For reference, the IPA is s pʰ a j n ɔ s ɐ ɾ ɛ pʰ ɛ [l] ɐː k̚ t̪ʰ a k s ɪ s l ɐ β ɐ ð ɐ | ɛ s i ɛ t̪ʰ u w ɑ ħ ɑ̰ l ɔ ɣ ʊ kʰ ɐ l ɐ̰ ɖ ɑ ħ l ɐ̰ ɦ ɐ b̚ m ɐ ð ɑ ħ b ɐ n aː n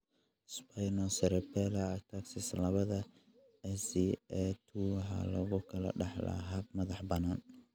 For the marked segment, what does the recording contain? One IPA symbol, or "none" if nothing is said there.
l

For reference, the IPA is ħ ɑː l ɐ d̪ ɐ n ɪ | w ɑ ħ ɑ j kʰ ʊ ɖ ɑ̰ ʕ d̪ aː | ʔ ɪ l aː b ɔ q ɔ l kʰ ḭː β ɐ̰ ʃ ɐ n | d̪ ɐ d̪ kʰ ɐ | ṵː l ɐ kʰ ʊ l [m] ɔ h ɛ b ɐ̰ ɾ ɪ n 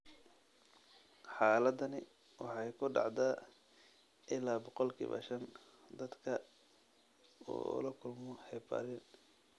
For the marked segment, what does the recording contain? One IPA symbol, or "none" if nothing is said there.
m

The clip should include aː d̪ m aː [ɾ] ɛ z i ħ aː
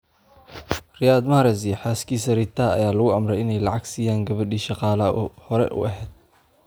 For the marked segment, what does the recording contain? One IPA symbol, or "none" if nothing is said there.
ɾ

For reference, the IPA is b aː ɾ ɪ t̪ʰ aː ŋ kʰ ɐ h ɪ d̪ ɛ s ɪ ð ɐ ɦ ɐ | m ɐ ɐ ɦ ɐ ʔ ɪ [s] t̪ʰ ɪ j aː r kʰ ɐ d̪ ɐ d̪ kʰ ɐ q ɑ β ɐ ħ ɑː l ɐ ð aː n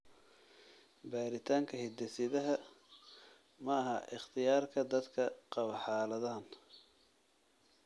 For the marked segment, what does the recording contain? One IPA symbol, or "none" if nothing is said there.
χ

